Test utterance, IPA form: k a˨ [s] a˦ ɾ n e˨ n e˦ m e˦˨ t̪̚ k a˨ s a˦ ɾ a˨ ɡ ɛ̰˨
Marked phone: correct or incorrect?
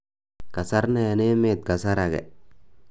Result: correct